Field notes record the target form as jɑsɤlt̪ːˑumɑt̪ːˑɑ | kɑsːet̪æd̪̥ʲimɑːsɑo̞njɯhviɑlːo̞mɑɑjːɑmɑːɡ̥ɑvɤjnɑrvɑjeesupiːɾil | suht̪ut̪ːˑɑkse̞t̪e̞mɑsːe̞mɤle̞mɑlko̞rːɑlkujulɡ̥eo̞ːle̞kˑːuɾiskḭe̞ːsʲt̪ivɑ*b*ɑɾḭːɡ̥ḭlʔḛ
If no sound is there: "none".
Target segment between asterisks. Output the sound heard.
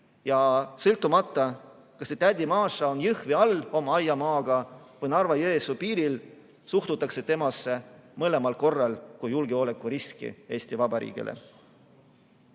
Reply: b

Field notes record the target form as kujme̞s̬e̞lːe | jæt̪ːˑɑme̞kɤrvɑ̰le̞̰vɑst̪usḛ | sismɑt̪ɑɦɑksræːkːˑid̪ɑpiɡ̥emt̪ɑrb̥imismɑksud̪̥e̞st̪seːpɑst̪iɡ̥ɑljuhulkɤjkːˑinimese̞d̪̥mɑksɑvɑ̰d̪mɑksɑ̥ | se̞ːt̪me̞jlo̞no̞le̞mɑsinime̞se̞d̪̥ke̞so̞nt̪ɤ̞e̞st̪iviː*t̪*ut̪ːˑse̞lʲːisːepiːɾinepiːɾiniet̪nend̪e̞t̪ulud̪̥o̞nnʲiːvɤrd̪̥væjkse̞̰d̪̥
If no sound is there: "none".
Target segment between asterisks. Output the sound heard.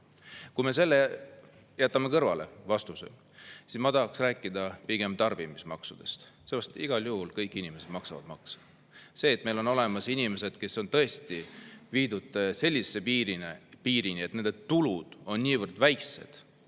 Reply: d̪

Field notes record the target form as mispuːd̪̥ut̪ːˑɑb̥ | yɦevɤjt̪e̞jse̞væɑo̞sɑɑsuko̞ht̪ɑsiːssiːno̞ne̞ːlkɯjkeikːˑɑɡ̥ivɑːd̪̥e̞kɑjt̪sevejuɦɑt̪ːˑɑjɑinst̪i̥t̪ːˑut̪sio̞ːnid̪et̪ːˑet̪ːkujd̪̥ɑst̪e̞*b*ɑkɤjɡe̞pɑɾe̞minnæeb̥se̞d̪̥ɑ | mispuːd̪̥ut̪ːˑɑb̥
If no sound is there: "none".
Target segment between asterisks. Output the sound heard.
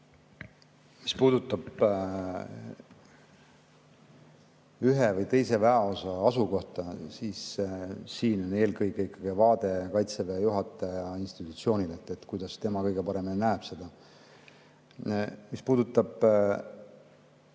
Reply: m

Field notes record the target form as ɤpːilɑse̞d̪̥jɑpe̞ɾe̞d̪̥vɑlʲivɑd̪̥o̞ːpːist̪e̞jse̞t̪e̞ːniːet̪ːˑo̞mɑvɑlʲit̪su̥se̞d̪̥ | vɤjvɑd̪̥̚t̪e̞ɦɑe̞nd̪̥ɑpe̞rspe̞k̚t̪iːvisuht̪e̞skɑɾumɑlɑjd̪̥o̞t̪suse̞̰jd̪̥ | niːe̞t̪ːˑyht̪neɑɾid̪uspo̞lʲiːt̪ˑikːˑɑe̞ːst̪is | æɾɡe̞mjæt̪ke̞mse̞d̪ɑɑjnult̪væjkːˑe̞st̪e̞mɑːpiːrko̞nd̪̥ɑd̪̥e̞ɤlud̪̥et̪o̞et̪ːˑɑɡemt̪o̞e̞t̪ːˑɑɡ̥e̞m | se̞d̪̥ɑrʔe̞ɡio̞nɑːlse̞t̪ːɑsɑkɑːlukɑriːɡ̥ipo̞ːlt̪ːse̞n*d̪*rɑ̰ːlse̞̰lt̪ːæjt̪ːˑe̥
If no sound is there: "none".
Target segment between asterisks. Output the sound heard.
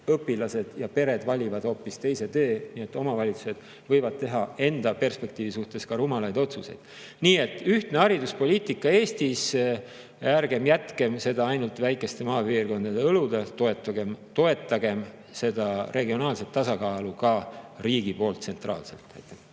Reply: t̪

